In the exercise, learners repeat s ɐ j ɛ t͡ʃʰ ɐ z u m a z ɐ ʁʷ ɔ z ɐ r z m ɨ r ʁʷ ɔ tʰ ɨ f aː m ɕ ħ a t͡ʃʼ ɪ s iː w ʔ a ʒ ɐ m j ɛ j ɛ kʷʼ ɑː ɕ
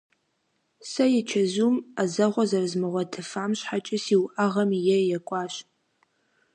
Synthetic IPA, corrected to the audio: s ɐ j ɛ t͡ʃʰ ɐ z u m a z ɐ ʁʷ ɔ z ɐ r z m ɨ ʁʷ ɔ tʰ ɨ f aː m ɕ ħ a t͡ʃʼ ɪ s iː w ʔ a ʁ ɐ m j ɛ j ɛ kʷʼ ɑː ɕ